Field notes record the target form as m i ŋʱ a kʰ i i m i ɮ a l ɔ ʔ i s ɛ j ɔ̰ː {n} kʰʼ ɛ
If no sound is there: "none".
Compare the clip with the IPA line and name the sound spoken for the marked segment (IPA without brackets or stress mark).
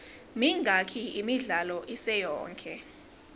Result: ŋ